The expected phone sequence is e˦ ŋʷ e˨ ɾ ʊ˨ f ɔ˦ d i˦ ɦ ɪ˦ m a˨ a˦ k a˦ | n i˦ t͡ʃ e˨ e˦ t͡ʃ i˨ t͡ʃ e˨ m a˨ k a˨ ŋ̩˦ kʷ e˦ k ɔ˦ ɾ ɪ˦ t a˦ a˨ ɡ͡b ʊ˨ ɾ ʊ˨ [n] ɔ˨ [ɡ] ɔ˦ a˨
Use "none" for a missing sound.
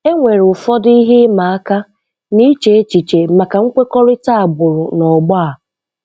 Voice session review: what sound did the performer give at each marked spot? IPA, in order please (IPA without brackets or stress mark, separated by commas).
n, ɡ͡b